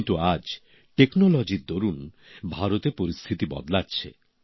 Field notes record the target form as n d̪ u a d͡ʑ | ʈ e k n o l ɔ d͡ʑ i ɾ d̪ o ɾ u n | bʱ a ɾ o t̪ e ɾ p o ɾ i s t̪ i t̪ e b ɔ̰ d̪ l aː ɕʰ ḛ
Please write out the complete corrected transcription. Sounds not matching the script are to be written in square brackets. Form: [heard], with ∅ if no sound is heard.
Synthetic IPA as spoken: n [t̪] u a d͡ʑ | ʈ e k n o l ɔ d͡ʑ i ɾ d̪ o ɾ u n | bʱ a ɾ o t̪ e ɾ p o ɾ i s [t̪ʰ] i t̪ [i] b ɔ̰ d̪ l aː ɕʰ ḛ

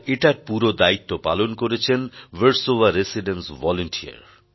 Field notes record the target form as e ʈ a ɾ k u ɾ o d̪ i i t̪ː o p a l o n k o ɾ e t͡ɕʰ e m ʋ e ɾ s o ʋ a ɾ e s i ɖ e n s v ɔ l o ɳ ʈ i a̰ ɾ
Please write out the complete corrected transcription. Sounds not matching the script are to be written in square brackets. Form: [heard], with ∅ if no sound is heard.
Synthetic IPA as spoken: e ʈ a ɾ [p] u ɾ o d̪ [a] i t̪ː o p a l o n k o ɾ e t͡ɕʰ e [n] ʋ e ɾ s o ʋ a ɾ e s i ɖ e n s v ɔ l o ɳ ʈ i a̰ ɾ

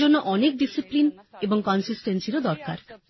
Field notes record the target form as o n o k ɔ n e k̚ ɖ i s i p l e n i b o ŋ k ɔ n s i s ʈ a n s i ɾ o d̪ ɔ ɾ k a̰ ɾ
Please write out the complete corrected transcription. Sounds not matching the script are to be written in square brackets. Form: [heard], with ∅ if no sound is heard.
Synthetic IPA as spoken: o [nː] o [ʔ] ɔ n e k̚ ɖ i s i p l [i] n [e] b o ŋ k ɔ n s i s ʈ [e] n s i ɾ o d̪ ɔ ɾ k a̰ ɾ

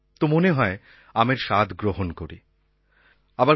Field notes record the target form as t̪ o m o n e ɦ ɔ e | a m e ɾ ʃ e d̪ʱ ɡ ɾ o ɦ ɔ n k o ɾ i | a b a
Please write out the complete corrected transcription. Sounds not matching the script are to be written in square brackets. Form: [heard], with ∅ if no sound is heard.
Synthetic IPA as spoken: t̪ o m o n e ɦ ɔ e | a m e ɾ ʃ [a] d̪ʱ ɡ ɾ o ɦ [o] n k o ɾ i | a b a

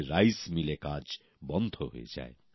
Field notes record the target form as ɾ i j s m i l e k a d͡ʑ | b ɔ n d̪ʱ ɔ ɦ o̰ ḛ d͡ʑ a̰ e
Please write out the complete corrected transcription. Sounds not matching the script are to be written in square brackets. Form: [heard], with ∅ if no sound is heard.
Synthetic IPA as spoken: ɾ [a] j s m i l e k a d͡ʑ | b ɔ n d̪ʱ [o] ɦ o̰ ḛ d͡ʑ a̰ e

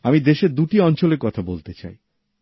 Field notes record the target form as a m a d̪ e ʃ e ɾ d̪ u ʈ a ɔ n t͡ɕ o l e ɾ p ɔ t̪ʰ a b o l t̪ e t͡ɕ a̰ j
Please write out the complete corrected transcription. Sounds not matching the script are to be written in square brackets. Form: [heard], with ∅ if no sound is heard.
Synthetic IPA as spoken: a m [i] d̪ e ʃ e ɾ d̪ u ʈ [i] ɔ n t͡ɕ o l e ɾ [k] ɔ t̪ʰ a b o l t̪ e t͡ɕ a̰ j

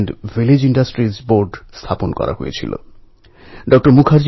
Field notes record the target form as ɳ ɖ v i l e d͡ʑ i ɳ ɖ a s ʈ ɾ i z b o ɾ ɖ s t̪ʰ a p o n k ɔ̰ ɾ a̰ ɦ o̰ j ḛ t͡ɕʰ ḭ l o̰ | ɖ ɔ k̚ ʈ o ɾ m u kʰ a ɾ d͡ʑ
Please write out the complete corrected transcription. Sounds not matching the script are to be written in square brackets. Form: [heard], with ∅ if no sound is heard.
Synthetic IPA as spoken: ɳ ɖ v i l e d͡ʑ i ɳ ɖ a s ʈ ɾ i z b o ɾ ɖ s t̪ʰ a p o n k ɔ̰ ɾ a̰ ɦ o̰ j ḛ t͡ɕʰ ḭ l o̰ | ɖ ɔ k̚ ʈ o ɾ m u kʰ a ɾ d͡ʑ

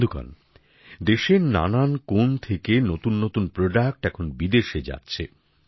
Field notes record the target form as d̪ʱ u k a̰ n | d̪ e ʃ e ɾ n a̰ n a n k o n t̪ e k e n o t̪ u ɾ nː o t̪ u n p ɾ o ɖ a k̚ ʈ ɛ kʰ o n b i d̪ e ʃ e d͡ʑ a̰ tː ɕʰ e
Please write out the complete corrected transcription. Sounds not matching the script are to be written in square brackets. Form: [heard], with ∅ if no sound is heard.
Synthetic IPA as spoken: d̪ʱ u k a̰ n | d̪ e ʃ e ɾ n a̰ n a n k o n [t̪ʰ] e k e n o t̪ u [∅] nː o t̪ u n p ɾ o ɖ a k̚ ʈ ɛ kʰ o n b i d̪ e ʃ e d͡ʑ a̰ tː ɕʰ e

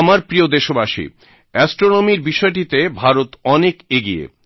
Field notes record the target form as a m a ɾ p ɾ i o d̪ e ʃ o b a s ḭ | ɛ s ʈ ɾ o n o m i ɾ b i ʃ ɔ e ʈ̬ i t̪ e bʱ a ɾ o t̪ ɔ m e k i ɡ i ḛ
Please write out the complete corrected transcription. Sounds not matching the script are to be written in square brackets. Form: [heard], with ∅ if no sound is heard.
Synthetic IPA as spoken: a m a ɾ p ɾ i o d̪ e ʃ o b a [ʃ] ḭ | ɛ s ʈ ɾ o n o m i ɾ b i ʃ ɔ e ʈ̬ i t̪ e bʱ a ɾ o t̪ ɔ [n] e k [e] ɡ i ḛ

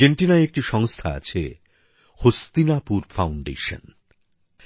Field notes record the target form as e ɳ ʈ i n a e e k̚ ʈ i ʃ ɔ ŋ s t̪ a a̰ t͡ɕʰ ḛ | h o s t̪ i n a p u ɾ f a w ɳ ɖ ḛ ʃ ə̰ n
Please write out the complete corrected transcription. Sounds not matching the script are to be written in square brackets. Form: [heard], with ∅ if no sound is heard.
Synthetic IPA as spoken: e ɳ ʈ i n a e e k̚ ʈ i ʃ ɔ ŋ s [t̪ʰ] a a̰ t͡ɕʰ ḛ | h o s t̪ i n a p u ɾ f a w ɳ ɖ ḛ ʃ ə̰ n

